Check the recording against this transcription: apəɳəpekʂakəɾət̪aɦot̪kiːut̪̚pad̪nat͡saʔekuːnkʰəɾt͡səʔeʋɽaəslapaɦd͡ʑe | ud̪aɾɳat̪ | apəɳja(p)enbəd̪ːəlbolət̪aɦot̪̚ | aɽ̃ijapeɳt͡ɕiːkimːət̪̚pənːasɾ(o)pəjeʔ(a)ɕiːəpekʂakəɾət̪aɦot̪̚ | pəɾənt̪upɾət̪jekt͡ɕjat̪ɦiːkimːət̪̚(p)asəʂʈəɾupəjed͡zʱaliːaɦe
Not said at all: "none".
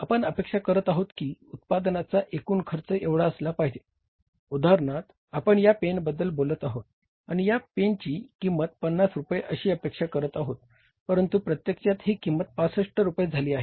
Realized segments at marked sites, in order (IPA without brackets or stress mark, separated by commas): p, u, ə, p